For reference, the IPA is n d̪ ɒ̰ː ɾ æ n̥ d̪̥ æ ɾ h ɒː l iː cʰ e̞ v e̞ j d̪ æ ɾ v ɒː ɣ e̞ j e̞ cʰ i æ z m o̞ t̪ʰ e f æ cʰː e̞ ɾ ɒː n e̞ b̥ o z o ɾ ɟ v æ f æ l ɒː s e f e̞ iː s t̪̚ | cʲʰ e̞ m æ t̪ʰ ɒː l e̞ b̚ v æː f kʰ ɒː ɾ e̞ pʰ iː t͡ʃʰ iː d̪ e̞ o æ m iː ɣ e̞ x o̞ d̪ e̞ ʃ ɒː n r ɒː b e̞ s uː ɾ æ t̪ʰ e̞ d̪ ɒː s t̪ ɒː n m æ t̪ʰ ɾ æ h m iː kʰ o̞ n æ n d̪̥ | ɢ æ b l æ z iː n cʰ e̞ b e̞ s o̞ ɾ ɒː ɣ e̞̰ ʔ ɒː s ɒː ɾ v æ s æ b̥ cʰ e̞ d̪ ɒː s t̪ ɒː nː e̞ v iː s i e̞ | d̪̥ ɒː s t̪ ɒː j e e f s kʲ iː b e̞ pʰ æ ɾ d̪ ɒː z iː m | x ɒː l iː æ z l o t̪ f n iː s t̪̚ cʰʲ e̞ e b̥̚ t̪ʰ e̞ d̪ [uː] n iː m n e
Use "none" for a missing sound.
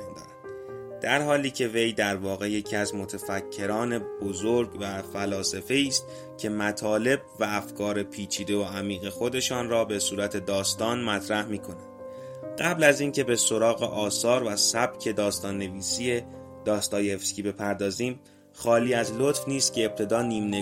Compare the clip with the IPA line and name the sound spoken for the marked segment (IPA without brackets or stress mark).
ɒː